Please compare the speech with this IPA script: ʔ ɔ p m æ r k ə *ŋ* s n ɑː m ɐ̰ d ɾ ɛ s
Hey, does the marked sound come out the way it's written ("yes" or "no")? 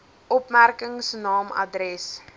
yes